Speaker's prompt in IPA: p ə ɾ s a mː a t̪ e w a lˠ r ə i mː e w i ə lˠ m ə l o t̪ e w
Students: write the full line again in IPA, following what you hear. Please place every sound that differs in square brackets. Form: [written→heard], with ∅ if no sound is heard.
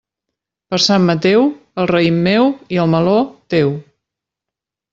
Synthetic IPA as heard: p ə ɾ s a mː [a→ə] t̪ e w [a→ə] lˠ r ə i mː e w i ə lˠ m ə l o t̪ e w